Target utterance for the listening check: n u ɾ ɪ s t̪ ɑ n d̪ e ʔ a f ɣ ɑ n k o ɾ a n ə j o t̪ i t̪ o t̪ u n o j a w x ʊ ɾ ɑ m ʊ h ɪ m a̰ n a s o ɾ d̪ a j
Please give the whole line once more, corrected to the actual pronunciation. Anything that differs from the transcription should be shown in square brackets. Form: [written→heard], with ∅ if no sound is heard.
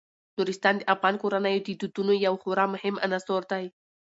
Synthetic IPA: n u ɾ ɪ s t̪ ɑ n d̪ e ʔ a f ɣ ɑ n k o ɾ a n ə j o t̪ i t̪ [o→u] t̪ u n o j a w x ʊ ɾ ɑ m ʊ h ɪ m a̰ n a s o ɾ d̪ a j